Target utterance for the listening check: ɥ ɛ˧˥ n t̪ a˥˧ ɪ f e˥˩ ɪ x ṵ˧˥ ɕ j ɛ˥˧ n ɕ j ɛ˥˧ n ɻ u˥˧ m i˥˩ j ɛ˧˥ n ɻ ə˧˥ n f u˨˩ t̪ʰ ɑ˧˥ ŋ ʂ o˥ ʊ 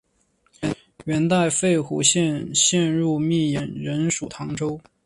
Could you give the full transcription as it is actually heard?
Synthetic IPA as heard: ɥ ɛ˧˥ n t̪ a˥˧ ɪ f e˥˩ ɪ x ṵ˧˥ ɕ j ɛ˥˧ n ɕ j ɛ˥˧ n ɻ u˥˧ m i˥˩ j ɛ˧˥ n ɻ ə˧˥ n ʂ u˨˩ t̪ʰ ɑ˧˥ ŋ ʈ͡ʂ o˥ ʊ